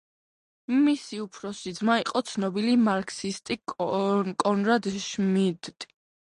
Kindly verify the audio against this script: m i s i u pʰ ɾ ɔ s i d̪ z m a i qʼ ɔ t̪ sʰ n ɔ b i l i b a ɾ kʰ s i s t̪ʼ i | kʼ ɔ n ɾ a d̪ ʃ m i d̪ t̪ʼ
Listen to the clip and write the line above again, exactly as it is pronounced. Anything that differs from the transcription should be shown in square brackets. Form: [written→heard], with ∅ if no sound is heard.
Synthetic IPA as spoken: m i s i u pʰ ɾ ɔ s i d̪ z m a i qʼ ɔ t̪ sʰ n ɔ b i l i [b→m] a ɾ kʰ s i s t̪ʼ i | kʼ ɔ n ɾ a d̪ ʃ m i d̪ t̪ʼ